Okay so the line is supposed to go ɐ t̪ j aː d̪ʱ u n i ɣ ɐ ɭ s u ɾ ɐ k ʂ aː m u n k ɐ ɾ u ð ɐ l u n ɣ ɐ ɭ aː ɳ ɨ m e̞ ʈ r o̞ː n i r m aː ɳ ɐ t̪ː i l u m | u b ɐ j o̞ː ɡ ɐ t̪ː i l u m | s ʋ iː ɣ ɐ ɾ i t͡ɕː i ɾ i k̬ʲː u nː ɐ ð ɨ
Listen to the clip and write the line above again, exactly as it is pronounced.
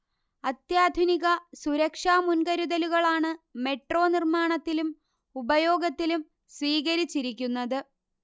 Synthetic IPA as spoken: ɐ t̪ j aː d̪ʱ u n i ɣ ɐ s u ɾ ɐ k ʂ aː m u n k ɐ ɾ u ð ɐ l u ɣ ɐ ɭ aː ɳ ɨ m e̞ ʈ r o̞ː n i r m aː ɳ ɐ t̪ː i l u m | u b ɐ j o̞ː ɡ ɐ t̪ː i l u m | s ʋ iː ɣ ɐ ɾ i t͡ɕː i ɾ i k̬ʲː u nː ɐ ð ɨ